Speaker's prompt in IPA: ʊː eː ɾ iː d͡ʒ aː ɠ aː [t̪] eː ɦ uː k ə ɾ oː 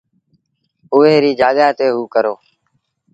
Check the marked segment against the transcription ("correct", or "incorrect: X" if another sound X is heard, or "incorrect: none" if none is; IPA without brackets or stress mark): correct